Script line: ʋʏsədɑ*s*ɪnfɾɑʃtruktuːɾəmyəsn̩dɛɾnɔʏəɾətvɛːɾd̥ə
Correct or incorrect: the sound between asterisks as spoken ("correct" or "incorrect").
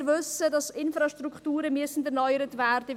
correct